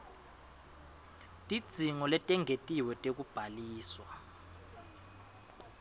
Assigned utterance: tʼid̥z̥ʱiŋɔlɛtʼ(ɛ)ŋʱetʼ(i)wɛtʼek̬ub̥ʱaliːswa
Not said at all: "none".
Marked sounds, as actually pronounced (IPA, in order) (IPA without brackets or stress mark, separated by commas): ɛ, i